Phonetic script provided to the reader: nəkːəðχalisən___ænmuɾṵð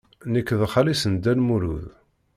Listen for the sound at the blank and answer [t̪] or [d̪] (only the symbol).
d̪